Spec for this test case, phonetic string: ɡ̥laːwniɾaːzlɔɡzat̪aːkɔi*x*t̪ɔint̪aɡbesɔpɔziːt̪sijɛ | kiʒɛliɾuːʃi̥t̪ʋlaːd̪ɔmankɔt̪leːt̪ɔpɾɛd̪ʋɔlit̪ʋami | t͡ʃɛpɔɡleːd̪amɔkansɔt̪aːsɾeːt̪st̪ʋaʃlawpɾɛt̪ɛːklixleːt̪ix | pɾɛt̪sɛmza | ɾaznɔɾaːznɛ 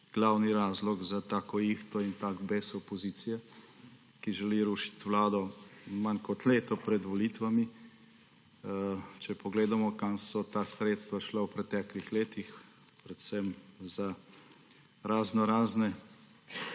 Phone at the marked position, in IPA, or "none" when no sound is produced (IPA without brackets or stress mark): x